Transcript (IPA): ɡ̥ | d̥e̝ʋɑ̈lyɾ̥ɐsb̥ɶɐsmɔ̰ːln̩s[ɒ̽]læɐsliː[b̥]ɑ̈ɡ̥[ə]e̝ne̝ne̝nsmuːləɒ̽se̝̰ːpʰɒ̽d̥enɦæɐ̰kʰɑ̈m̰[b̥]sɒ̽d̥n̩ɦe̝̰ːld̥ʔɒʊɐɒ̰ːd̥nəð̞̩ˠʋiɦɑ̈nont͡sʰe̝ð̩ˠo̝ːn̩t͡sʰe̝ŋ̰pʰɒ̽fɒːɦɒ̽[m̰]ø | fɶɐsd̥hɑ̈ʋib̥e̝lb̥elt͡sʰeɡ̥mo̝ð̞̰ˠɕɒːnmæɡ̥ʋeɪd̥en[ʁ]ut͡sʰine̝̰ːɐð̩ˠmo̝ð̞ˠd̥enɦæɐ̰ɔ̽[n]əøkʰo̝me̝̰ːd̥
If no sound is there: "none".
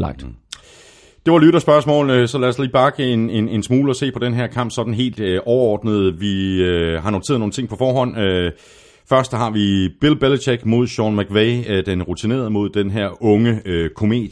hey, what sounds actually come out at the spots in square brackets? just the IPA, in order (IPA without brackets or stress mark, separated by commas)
ɒ̽, b̥, ə, b̥, n̰, ʁ, ŋ